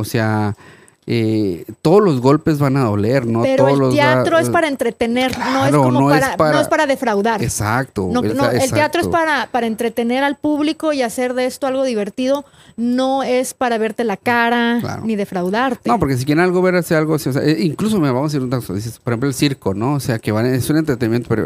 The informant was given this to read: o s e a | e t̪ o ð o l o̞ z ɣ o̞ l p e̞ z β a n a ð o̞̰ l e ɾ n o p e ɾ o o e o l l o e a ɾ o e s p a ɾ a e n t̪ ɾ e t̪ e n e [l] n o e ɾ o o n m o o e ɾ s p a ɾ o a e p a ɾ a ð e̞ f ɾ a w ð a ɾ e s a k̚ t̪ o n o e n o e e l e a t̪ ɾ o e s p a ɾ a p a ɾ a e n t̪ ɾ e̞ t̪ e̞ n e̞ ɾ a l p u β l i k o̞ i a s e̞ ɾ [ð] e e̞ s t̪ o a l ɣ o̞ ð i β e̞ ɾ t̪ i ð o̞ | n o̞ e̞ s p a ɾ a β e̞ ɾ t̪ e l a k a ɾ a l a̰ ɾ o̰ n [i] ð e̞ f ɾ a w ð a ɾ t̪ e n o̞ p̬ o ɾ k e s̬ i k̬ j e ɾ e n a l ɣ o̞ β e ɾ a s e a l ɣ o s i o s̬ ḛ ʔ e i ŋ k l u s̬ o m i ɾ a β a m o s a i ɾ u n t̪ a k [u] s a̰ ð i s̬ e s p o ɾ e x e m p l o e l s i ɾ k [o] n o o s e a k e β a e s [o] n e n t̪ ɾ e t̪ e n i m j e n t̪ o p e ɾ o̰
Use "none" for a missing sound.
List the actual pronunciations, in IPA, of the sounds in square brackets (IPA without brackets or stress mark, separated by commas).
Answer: ɾ, ð, i, o, o, u